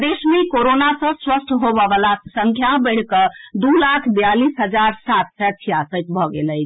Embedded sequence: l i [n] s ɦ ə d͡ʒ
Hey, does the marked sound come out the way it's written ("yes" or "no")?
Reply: no